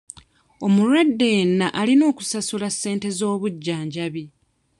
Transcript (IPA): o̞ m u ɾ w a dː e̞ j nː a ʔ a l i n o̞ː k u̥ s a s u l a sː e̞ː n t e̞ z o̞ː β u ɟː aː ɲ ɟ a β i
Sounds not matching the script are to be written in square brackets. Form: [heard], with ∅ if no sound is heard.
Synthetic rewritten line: o̞ m u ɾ w a dː e̞ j nː a ʔ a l i n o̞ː k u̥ s a s u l a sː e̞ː n t e̞ z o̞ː β u ɟː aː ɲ ɟ a β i